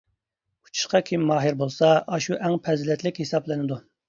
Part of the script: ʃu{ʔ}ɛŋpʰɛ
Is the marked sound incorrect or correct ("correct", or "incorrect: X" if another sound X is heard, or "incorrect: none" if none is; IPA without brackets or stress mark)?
correct